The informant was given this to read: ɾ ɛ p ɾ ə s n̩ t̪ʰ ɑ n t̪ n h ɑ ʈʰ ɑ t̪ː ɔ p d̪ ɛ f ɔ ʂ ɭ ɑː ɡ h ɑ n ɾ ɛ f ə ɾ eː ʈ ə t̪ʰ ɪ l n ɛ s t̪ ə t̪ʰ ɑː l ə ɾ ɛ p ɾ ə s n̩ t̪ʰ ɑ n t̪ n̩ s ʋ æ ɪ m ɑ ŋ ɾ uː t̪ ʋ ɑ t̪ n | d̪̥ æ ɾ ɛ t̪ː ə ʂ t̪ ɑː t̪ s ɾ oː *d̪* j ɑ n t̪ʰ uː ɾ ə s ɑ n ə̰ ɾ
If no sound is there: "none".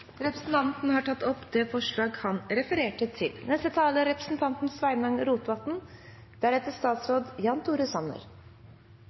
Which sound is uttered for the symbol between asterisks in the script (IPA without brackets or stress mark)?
d̪